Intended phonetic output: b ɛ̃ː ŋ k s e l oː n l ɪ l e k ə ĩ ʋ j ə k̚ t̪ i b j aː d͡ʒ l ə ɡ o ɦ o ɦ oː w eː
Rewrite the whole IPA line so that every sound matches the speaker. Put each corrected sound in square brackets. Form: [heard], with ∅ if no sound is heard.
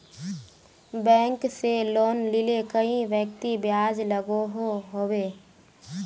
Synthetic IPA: b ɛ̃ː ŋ k s e l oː n l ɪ l e k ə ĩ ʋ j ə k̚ t̪ i b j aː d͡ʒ l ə ɡ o ɦ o ɦ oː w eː